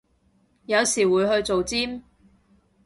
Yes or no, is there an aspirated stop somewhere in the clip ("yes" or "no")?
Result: no